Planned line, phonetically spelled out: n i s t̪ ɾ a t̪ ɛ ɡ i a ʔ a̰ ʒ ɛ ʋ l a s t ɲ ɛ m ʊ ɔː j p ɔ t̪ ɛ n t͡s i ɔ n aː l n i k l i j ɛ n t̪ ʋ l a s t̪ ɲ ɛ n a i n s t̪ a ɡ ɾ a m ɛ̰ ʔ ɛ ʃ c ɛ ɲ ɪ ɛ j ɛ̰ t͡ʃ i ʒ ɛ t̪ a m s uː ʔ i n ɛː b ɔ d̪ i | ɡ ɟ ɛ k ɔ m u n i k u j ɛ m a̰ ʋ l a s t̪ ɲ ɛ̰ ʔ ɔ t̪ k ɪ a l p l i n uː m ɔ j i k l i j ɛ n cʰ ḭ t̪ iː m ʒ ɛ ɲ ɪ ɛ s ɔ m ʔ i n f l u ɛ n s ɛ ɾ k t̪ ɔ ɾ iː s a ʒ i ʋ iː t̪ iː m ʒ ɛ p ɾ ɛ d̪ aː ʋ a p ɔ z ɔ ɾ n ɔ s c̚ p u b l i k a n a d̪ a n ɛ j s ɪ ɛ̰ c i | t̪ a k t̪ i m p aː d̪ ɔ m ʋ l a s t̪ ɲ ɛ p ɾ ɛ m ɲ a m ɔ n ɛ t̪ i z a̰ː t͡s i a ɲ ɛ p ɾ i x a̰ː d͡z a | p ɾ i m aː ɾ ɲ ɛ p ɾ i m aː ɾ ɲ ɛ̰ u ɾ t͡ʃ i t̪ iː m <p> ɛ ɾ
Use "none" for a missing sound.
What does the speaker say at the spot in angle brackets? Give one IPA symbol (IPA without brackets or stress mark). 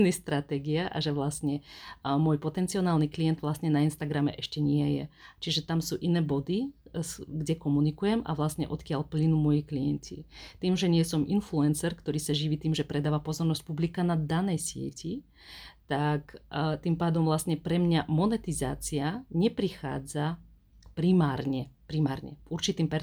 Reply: p